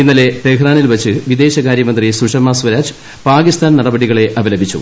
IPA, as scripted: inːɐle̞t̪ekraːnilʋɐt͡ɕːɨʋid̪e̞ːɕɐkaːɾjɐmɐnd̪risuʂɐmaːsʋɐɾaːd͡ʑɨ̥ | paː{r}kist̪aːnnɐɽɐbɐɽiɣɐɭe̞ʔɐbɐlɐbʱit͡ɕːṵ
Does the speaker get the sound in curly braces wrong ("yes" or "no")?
yes